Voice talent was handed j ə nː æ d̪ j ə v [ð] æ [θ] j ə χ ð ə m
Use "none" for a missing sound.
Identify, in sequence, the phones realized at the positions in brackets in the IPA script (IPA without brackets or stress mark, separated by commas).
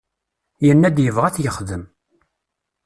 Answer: ʁ, θ